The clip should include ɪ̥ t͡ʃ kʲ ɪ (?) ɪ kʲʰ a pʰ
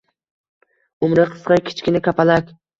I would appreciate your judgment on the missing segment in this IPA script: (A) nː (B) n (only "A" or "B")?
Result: B